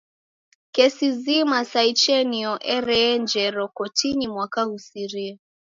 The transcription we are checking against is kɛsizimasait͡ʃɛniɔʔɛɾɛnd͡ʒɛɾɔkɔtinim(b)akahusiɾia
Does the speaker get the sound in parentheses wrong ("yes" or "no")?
yes